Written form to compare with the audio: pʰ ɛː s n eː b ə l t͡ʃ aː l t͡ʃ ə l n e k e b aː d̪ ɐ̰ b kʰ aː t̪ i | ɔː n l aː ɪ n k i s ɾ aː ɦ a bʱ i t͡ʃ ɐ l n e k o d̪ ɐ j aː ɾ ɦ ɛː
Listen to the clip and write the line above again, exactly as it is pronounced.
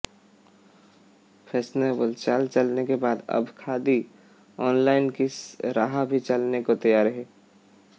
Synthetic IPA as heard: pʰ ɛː s n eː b ə l t͡ʃ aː l t͡ʃ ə l n e k e b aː d̪ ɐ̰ b kʰ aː d̪ i | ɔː n l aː ɪ n k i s ɾ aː ɦ a bʱ i t͡ʃ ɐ l n e k o t̪ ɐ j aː ɾ ɦ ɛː